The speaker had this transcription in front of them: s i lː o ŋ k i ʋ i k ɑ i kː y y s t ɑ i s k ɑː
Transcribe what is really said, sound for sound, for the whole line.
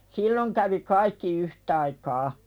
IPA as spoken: s i lː o ŋ k æ ʋ i k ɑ i kː i y h t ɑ i k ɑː